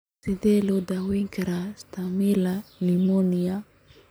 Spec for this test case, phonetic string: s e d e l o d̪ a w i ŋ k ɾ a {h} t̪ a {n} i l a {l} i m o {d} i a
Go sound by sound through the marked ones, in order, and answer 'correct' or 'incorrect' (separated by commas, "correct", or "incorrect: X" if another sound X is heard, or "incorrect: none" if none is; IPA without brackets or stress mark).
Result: incorrect: s, incorrect: m, correct, incorrect: n